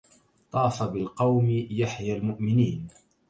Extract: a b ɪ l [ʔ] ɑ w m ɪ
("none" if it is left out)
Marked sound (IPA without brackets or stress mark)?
q